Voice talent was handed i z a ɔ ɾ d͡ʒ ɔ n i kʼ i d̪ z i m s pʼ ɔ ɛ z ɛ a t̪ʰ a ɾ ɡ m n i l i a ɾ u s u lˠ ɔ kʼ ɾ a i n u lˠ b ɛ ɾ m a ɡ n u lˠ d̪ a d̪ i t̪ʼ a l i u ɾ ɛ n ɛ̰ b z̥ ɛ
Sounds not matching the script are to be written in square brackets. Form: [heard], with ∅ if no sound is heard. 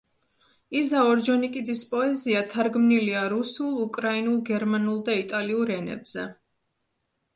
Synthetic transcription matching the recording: i z a ɔ ɾ d͡ʒ ɔ n i kʼ i d̪ z i [∅] s pʼ ɔ ɛ z [i] a t̪ʰ a ɾ ɡ m n i l i a ɾ u s u lˠ [u] kʼ ɾ a i n u lˠ [ɡ] ɛ ɾ m a [∅] n u lˠ d̪ a [∅] i t̪ʼ a l i u ɾ ɛ n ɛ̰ b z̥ ɛ